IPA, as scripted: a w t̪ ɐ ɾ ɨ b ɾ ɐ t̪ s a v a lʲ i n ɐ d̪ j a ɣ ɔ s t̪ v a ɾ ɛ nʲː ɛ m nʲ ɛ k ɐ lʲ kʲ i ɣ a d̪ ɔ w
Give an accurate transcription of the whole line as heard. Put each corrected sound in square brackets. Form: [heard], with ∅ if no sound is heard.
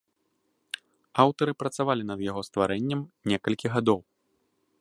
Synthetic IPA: a w t̪ ɐ ɾ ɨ [p] ɾ ɐ t̪ s a v a lʲ i n ɐ d̪ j a ɣ ɔ s t̪ v a ɾ ɛ nʲː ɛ m nʲ ɛ k ɐ lʲ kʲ i ɣ a d̪ ɔ w